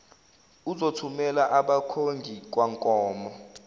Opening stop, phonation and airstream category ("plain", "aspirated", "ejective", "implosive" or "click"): aspirated